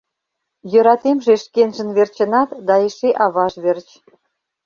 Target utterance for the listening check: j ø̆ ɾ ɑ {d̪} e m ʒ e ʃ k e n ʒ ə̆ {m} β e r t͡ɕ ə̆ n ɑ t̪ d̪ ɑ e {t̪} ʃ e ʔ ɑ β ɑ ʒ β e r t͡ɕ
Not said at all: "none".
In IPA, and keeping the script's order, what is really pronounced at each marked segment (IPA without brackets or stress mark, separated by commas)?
t̪, n, none